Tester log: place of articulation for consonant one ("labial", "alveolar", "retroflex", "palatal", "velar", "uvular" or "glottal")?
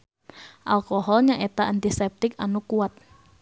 glottal